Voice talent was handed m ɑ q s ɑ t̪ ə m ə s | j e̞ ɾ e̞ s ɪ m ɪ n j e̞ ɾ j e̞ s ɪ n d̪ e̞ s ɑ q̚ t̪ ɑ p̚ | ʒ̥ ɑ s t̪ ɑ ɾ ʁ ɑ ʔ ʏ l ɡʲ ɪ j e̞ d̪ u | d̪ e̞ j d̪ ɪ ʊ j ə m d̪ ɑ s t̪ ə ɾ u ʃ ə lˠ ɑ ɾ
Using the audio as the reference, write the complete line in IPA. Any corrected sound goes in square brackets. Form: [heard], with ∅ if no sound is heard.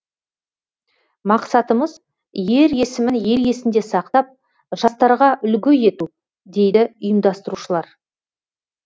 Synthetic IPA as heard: m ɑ q s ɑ t̪ ə m ə [z] | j e̞ ɾ e̞ s ɪ m ɪ n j e̞ ɾ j e̞ s ɪ n d̪ e̞ s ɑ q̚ t̪ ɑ p̚ | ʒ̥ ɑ s t̪ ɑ ɾ ʁ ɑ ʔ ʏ l ɡʲ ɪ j e̞ [t̪] u | d̪ e̞ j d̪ ɪ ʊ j ə m d̪ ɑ s t̪ ə ɾ u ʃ ə lˠ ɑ ɾ